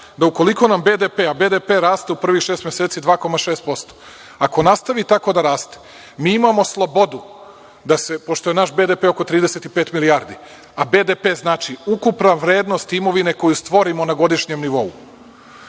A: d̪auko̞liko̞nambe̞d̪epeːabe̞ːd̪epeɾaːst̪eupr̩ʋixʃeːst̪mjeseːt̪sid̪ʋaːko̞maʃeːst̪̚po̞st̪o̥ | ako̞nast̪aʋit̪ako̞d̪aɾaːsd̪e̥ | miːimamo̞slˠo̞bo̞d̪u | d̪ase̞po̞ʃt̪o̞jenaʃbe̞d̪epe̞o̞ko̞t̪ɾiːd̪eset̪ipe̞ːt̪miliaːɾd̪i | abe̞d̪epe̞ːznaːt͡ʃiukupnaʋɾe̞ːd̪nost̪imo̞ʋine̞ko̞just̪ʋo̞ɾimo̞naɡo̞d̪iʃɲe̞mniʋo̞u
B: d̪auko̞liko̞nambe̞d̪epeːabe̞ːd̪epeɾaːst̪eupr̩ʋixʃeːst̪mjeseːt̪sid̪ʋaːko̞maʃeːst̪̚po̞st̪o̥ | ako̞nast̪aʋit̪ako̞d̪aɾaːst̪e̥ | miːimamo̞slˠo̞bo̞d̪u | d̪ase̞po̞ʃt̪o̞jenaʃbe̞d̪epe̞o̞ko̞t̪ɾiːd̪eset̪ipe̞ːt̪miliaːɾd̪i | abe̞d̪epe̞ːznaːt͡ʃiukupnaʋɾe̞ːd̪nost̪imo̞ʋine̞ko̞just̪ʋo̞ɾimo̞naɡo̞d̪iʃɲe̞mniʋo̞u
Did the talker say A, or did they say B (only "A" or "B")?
B